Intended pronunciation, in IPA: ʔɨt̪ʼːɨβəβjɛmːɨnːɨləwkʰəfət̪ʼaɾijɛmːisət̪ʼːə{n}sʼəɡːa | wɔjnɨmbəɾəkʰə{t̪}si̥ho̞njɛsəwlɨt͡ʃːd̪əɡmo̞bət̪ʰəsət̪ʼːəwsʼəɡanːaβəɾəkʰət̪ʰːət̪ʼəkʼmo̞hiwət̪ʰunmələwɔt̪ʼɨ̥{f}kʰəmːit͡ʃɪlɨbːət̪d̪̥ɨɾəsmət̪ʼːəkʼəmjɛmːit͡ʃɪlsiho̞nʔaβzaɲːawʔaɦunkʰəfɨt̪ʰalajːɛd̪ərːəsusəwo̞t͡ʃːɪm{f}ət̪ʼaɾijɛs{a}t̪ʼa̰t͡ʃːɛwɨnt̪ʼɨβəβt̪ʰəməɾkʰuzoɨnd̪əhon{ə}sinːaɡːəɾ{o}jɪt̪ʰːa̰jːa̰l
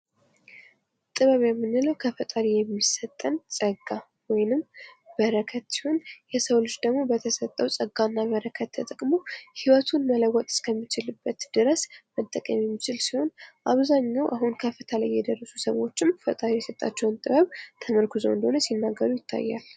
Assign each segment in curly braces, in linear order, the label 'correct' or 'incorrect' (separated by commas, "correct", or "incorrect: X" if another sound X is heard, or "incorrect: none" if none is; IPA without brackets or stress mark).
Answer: correct, correct, incorrect: s, correct, incorrect: ə, correct, incorrect: u